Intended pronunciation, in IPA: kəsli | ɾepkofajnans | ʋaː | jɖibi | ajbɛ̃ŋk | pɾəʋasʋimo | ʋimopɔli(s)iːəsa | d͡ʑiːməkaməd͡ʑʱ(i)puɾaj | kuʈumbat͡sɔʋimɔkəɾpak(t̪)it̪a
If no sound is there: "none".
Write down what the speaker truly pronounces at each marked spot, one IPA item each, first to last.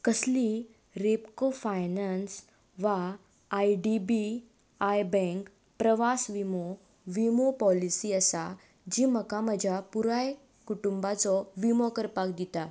s, a, d̪

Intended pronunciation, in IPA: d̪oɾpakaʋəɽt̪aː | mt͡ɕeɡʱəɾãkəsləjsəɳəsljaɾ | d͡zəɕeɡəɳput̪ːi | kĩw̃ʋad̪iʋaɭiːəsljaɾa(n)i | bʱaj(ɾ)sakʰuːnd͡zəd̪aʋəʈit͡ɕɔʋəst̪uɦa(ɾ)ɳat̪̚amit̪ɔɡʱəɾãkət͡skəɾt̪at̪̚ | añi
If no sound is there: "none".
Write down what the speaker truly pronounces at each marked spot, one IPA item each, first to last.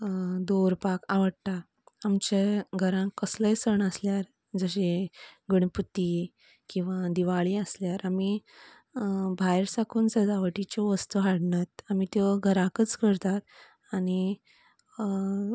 m, ɾ, ɽ

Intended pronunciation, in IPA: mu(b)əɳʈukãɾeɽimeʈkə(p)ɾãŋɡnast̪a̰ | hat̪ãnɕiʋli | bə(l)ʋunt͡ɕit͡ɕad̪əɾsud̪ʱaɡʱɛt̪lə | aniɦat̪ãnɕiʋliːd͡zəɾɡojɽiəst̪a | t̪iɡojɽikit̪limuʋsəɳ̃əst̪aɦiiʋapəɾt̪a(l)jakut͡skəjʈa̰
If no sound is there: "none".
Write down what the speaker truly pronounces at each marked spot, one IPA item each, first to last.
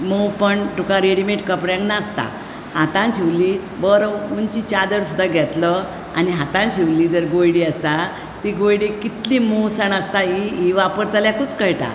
p, p, ɾ, l

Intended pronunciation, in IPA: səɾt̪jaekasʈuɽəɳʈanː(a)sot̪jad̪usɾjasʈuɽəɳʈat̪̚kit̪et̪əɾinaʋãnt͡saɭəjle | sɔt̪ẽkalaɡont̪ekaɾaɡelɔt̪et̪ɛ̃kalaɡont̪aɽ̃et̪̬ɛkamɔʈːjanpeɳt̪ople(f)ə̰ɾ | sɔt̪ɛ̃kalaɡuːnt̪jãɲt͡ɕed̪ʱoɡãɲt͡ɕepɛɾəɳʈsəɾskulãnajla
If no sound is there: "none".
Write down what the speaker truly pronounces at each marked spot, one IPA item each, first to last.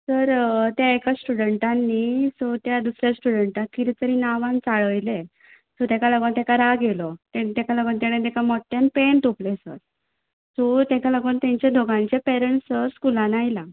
i, s

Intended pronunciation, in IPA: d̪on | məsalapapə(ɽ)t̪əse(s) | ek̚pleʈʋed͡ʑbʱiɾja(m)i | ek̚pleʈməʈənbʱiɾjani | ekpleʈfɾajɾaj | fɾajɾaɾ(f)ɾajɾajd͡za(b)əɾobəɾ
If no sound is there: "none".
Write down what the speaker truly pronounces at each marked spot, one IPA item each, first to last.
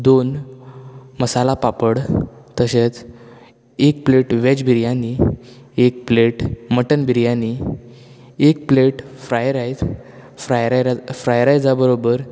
ɽ, t͡s, n, f, b

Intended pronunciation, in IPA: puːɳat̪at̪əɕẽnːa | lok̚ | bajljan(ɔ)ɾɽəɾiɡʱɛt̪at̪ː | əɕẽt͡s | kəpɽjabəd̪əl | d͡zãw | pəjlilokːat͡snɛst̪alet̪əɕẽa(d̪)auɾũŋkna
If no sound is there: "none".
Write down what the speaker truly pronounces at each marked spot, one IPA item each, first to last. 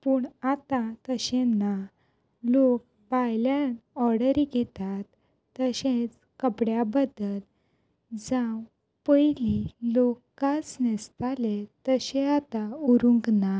ɔ, t̪

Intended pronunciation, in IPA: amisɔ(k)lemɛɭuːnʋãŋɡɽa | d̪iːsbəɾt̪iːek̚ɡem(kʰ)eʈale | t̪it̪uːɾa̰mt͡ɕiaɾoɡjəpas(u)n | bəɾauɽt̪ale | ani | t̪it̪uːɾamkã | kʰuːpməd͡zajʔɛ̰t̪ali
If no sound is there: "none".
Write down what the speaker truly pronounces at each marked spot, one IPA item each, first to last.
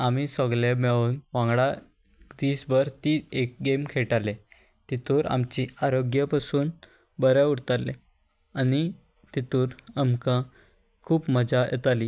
ɡ, kʰ, uː

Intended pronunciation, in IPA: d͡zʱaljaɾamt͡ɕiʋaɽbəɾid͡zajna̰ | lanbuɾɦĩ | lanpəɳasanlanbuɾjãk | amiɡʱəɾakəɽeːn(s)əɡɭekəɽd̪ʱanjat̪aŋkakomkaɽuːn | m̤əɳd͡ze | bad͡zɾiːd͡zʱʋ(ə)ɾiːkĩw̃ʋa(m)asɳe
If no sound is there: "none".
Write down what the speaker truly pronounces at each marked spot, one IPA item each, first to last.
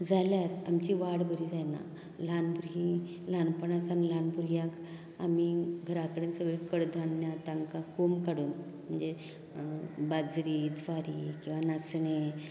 s, a, n

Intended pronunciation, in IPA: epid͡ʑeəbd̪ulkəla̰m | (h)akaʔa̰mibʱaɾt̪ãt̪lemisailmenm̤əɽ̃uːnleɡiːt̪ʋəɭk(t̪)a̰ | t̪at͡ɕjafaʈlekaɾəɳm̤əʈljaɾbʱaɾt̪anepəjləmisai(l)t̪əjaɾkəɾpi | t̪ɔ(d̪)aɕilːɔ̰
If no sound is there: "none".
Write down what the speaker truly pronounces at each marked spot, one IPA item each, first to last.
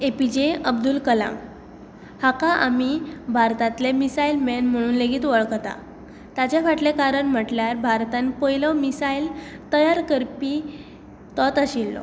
h, t̪, l, t̪

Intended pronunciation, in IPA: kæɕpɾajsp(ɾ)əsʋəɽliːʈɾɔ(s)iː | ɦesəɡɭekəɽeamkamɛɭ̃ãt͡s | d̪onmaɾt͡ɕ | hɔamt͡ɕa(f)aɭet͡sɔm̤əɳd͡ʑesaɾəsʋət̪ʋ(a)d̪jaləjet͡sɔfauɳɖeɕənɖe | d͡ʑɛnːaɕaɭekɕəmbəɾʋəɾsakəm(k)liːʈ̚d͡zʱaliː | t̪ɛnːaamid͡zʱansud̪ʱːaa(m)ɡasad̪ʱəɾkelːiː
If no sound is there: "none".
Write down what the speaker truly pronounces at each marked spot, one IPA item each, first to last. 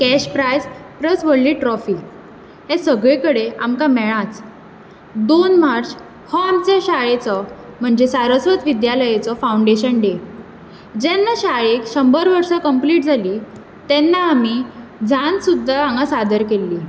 ɾ, f, ɕ, i, p, ŋ

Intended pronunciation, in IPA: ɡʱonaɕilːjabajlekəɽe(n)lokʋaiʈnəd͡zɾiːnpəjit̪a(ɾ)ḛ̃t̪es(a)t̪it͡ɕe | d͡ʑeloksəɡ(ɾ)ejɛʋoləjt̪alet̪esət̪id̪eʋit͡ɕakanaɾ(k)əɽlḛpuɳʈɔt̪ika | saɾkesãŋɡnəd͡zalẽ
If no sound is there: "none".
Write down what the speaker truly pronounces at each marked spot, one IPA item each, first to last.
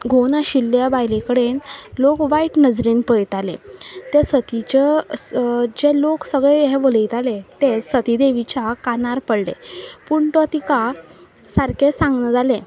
n, l, ə, ɭ, p

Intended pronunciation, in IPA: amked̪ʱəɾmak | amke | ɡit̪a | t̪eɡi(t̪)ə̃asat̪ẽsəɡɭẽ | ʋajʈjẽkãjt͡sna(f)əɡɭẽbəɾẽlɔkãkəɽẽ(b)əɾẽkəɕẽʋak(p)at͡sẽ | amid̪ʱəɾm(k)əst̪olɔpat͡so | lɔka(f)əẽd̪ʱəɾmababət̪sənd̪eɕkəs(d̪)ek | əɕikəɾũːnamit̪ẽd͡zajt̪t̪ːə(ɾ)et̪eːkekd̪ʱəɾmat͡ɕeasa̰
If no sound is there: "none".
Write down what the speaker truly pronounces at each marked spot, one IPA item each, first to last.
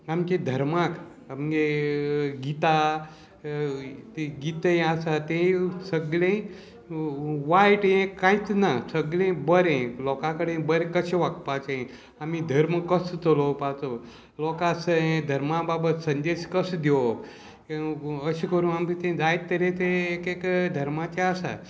t̪, s, b, p, k, s, d̪, ɾ

